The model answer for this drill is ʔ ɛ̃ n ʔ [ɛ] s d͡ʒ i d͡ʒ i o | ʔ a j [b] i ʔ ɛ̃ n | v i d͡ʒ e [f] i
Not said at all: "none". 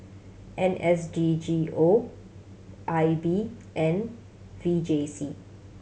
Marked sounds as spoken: ɛ, b, s

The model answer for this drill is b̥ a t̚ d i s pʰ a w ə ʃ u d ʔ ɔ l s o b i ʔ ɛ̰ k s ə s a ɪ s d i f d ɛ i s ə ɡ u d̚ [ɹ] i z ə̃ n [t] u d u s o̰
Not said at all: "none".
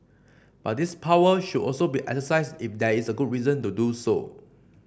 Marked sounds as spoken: ɹ, t

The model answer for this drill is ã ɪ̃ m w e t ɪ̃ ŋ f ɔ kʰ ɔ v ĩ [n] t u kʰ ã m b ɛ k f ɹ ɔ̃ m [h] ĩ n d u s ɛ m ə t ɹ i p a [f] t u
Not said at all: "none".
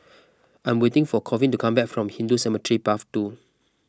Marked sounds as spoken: n, h, f

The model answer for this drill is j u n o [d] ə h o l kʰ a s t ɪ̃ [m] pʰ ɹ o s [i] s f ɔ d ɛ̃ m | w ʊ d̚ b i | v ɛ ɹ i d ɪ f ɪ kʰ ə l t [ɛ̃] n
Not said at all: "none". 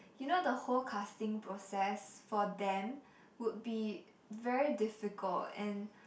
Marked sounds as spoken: d, ŋ, ɛ, ɛ̃

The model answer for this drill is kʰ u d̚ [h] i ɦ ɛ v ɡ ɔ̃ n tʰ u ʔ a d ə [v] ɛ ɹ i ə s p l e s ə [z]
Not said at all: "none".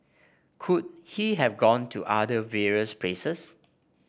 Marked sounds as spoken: h, v, s

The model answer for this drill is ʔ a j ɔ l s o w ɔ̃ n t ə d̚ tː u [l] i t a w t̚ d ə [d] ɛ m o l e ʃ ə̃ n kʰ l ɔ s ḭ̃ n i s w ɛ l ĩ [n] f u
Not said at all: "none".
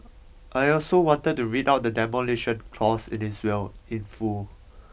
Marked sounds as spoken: ɹ, d, n

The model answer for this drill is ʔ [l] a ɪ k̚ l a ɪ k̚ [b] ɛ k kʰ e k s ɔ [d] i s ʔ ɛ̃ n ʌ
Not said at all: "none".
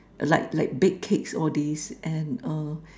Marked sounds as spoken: l, b, d

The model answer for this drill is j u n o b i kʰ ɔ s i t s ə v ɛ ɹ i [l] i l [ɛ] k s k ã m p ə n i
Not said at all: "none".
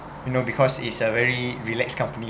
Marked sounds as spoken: ɹ, ɛ

